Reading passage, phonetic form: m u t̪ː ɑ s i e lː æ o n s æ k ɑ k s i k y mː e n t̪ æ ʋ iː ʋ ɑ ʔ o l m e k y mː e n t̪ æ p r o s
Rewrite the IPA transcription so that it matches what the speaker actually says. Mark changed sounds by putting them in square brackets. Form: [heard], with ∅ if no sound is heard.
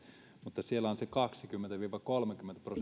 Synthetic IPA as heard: m u t̪ː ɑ s i e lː æ o n s [e] k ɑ k s i k y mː e n t̪ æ ʋ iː ʋ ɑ [k] o l m e k y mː e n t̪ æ p r o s